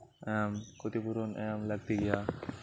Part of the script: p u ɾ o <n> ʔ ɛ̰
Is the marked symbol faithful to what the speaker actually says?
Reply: yes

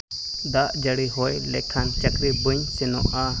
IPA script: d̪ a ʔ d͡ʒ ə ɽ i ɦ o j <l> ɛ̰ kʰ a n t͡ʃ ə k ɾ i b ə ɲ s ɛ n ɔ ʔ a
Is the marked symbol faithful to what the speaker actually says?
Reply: yes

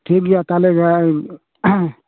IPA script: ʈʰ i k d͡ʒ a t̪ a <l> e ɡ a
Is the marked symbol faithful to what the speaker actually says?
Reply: yes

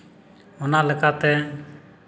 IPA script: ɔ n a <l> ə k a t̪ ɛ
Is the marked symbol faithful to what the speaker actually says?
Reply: yes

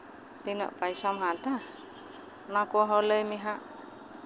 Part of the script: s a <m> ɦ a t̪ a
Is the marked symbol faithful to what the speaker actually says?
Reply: yes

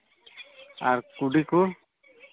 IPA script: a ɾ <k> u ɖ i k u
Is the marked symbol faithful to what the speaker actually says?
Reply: yes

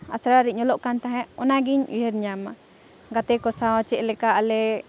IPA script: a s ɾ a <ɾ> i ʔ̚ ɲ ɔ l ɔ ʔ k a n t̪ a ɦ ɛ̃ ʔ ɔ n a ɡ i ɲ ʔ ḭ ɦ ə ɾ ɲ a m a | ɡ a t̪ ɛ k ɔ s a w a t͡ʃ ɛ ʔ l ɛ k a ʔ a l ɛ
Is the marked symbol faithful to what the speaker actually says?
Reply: yes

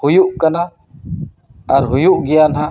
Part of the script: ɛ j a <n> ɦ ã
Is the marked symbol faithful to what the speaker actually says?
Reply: yes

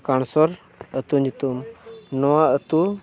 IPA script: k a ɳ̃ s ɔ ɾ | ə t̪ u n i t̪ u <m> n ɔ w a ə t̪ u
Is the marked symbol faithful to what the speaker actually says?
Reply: yes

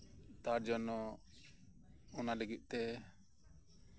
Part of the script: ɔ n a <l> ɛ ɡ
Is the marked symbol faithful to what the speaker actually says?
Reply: yes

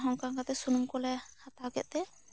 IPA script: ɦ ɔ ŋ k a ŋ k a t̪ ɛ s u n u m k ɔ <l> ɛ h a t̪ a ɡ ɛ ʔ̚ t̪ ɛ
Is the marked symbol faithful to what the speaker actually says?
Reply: yes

